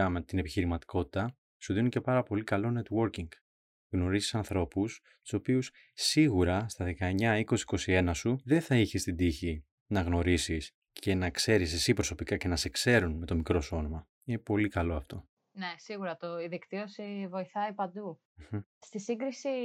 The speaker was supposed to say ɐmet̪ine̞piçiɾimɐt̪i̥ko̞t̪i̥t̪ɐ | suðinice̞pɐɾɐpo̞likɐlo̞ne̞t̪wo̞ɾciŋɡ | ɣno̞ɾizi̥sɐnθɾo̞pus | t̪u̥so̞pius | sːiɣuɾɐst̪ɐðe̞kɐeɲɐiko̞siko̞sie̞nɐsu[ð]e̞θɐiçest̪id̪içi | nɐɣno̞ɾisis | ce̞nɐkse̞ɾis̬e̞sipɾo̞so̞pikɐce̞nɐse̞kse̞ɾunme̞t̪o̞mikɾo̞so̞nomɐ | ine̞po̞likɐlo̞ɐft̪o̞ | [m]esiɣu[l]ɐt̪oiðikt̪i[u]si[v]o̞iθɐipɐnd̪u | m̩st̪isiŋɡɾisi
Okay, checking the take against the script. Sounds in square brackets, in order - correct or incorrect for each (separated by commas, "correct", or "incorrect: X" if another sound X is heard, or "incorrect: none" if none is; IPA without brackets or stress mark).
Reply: correct, incorrect: n, incorrect: ɾ, incorrect: o, correct